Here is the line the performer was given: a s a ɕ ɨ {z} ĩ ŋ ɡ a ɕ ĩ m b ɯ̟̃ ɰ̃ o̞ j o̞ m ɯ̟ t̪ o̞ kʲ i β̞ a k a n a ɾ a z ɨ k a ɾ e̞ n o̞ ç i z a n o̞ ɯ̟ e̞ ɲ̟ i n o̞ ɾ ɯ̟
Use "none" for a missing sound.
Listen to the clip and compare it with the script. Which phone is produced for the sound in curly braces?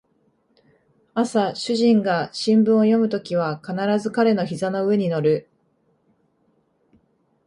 ʑ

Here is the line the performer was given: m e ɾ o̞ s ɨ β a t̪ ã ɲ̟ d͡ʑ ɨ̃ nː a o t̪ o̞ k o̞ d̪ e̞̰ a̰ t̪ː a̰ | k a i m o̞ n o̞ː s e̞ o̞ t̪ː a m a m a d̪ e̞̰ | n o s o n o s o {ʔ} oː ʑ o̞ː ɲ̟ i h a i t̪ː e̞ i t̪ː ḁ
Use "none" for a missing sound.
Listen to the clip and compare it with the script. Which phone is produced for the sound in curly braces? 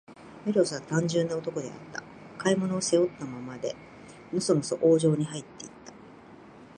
ʔ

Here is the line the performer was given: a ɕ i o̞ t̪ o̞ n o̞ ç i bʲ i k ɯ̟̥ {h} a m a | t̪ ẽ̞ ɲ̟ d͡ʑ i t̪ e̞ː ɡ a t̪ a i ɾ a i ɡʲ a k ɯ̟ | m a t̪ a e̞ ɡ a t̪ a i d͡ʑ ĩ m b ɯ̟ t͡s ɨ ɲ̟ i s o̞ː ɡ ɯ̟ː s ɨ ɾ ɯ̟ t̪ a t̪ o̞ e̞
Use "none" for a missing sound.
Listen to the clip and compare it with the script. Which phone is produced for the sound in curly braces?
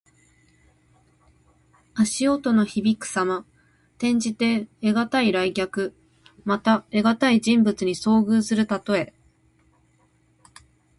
s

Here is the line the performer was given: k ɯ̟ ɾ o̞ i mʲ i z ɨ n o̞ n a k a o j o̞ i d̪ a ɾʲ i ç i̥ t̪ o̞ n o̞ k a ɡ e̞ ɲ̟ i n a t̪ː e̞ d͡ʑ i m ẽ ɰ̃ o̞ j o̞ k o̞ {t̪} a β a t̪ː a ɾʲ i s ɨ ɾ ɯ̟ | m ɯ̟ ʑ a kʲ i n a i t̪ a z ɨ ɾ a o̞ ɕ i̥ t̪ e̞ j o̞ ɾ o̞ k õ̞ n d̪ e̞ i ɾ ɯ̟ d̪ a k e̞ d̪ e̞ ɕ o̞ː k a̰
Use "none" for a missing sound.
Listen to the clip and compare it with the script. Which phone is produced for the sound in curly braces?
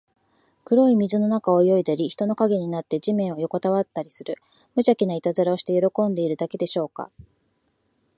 t̪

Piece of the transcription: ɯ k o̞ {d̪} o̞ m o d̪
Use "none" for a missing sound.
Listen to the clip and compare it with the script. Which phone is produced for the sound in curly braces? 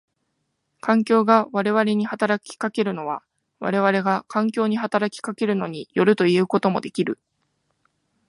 t̪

